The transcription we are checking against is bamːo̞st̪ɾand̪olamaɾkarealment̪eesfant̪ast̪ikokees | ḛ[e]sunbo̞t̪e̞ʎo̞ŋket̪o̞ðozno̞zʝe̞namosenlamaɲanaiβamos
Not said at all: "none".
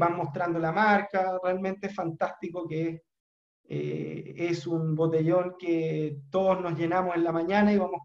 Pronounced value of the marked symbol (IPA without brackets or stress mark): e